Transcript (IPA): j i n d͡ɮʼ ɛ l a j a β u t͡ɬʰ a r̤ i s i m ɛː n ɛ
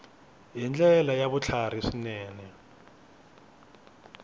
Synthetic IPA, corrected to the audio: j i n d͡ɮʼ ɛ l a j a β u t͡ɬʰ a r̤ i s i n ɛː n ɛ